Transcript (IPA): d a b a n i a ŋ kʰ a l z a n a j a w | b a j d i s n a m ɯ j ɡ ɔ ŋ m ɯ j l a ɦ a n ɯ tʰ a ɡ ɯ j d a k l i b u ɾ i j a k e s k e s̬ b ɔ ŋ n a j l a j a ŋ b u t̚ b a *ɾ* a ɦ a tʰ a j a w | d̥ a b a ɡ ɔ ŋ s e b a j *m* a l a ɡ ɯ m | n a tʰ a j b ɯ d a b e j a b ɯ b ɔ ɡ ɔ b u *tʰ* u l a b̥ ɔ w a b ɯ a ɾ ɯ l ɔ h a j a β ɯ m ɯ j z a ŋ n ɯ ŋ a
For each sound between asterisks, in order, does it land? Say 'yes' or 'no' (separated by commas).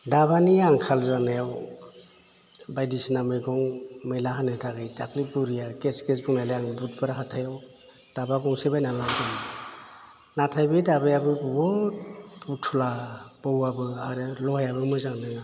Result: yes, no, yes